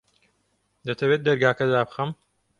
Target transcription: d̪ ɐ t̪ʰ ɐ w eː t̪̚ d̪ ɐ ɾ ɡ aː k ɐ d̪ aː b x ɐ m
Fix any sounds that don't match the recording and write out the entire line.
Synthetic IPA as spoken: d̪ ɐ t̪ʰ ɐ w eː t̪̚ d̪ ɐ ɾ ɡ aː k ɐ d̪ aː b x ɐ m